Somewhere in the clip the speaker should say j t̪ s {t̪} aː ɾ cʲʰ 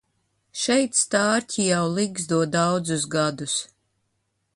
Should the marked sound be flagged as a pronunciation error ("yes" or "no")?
no